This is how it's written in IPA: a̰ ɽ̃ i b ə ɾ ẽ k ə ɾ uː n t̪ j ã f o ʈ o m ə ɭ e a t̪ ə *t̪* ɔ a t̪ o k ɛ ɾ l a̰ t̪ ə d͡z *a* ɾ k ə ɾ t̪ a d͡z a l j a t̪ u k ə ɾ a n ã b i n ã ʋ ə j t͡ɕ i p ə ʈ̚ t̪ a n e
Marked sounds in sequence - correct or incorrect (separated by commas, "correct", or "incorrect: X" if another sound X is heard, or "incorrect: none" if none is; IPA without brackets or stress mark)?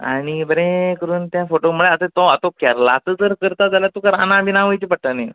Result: correct, incorrect: ə